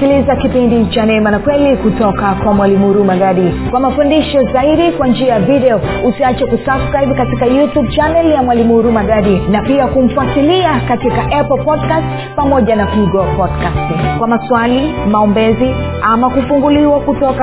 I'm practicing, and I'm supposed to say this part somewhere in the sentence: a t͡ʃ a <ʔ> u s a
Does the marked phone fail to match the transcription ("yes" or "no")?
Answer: yes